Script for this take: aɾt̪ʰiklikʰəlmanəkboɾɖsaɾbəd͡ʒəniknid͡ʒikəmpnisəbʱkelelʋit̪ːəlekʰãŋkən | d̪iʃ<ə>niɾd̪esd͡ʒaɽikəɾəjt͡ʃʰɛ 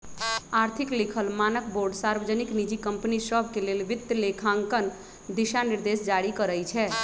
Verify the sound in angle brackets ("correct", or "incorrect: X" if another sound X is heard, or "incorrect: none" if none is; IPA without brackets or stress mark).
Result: incorrect: a